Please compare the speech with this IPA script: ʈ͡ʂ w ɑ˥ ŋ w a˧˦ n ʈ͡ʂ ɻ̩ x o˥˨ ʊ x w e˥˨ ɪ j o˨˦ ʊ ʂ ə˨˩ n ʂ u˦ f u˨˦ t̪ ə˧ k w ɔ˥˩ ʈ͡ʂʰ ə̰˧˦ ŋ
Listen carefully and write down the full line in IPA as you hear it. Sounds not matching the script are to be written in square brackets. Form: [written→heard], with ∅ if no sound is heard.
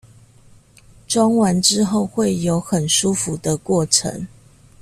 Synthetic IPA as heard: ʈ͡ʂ w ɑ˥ ŋ w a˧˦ n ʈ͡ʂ ɻ̩ x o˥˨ ʊ x w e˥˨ ɪ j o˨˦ ʊ [ʂ→x] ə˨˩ n ʂ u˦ f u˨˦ [t̪→d̪] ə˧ k w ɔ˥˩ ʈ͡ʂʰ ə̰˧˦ ŋ